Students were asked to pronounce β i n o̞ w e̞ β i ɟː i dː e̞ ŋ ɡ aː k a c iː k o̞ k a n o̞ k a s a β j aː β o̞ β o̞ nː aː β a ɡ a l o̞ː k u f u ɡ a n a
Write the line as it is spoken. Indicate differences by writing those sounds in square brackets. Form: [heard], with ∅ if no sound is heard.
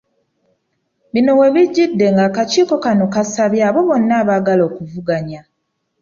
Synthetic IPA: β i n o̞ w e̞ β i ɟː i dː e̞ ŋ ɡ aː k a c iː k o̞ k a n o̞ k a s a β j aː β o̞ β o̞ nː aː β a ɡ a l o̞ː k u [v] u ɡ a [ɲ] a